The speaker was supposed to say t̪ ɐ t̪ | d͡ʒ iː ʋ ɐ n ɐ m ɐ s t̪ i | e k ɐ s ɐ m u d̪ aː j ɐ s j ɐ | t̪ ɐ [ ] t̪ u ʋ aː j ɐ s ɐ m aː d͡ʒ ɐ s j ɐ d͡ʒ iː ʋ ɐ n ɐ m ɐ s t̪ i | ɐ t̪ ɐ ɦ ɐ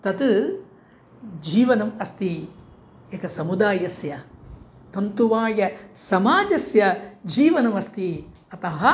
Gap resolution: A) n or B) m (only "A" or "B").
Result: A